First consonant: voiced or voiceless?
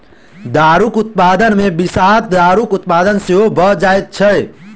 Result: voiced